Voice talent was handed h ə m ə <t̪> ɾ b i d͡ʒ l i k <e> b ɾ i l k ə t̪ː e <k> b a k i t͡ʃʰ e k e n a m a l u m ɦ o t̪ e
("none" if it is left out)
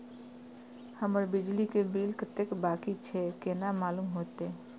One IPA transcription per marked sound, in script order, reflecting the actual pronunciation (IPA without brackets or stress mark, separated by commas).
none, e, k